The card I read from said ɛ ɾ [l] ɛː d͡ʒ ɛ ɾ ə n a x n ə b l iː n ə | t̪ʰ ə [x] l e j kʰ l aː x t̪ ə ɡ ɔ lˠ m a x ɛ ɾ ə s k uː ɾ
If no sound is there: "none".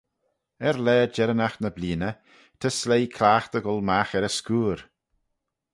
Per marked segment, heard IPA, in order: l, s

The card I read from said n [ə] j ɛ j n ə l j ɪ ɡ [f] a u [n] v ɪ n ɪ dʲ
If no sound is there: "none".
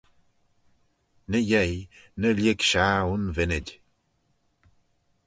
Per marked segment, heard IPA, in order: ə, ʃ, n

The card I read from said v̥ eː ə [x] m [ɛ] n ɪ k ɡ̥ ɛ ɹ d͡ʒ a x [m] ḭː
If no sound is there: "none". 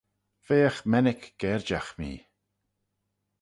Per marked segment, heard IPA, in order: x, ɛ, m

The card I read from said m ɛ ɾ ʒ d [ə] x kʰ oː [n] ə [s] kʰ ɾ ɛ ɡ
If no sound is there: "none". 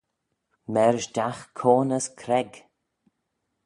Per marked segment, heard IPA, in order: a, n, s

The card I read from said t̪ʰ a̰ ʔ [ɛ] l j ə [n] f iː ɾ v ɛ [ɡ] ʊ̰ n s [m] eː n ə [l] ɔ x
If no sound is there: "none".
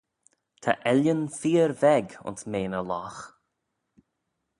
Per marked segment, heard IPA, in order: ɛ, n, ɡ, m, l

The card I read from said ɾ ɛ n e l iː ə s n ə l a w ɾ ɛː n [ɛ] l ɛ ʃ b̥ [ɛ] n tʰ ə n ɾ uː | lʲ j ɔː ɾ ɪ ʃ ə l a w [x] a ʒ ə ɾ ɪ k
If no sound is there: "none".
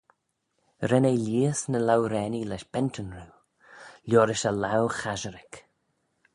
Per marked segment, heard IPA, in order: i, ɛ, x

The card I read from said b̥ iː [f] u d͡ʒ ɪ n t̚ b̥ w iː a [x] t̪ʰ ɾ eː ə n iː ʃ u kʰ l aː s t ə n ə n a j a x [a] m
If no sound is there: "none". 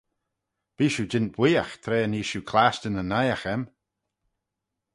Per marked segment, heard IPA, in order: ʃ, x, ɛ

